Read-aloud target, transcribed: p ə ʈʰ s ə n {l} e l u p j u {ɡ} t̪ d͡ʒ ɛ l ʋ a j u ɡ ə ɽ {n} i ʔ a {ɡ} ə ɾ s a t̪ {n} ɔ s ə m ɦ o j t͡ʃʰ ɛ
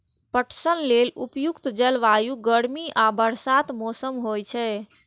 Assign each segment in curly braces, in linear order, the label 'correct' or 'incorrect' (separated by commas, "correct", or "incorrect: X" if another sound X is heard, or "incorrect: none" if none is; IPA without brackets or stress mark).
correct, incorrect: k, incorrect: m, incorrect: b, incorrect: m